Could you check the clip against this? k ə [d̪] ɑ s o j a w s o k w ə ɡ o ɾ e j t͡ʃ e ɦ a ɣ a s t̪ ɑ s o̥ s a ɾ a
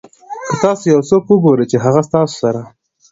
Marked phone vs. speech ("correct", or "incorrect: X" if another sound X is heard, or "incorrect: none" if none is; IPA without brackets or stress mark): incorrect: t̪